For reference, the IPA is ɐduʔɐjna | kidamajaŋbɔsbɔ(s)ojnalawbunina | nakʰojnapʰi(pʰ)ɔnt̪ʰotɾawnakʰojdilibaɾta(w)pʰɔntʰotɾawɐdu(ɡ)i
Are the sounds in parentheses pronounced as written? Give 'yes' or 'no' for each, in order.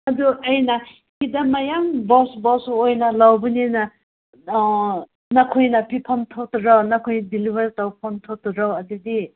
yes, yes, yes, no

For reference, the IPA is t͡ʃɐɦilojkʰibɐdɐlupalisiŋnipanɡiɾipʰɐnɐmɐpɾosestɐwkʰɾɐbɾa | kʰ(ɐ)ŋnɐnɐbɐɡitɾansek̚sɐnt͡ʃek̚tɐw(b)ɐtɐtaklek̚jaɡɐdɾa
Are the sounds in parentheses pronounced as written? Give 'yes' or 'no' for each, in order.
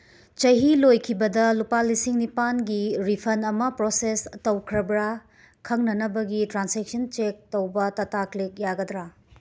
yes, yes

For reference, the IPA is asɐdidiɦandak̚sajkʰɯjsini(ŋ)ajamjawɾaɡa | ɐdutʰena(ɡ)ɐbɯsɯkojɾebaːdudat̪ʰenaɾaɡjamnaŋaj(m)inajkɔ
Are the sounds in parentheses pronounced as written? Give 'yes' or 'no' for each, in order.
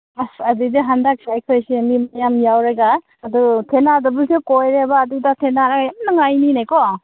no, no, no

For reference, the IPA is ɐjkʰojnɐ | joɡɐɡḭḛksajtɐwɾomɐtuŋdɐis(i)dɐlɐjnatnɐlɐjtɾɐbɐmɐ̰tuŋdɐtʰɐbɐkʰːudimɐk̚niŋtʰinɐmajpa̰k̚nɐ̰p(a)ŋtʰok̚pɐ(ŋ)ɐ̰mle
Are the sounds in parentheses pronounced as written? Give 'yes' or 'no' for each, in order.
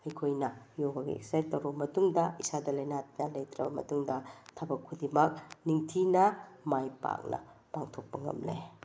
no, yes, yes

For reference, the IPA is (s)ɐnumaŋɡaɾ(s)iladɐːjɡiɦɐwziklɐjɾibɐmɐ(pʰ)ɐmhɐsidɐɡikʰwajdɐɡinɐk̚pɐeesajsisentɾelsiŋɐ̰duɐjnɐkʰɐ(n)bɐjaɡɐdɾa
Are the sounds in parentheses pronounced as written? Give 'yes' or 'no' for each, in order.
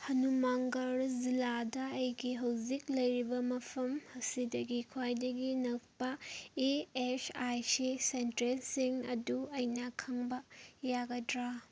no, no, yes, no

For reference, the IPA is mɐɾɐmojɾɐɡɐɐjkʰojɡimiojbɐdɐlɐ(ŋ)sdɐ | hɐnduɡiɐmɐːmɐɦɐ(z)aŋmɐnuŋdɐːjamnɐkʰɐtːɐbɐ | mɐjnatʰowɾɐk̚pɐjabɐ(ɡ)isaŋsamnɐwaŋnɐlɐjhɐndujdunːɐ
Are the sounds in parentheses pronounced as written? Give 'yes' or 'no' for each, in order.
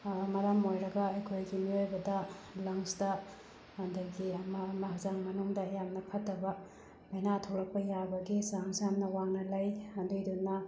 yes, yes, yes

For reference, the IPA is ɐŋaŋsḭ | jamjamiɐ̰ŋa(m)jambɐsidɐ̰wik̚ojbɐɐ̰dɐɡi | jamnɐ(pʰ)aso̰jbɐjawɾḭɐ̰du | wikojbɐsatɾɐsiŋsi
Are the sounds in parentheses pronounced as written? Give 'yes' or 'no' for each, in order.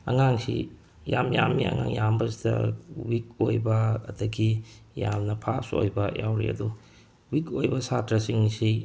no, yes

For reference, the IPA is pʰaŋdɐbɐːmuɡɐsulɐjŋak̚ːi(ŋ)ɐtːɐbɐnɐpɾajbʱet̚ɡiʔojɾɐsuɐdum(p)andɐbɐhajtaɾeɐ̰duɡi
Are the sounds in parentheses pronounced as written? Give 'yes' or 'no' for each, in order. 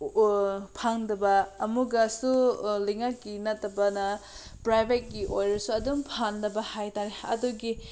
no, no

